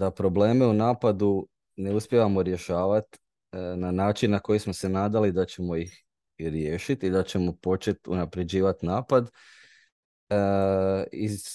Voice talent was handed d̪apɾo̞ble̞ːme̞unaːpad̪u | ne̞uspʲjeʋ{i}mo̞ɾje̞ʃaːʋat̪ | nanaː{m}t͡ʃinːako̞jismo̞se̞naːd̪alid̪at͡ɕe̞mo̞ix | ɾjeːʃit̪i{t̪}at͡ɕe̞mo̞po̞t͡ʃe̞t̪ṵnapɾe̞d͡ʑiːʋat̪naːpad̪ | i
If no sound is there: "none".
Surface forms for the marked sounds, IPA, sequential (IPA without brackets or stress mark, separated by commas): a, none, d̪